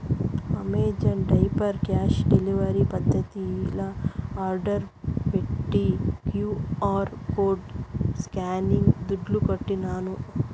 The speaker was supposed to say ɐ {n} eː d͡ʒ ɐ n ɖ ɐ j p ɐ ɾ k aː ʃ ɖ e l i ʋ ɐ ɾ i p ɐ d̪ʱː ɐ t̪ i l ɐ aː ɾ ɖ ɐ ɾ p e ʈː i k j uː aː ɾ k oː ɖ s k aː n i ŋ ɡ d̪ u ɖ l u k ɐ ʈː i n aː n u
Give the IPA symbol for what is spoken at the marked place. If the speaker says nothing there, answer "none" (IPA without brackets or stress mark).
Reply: m